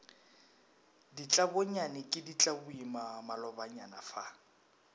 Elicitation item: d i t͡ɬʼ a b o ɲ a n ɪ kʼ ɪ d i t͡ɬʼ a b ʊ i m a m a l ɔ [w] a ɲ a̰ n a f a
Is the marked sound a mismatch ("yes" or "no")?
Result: yes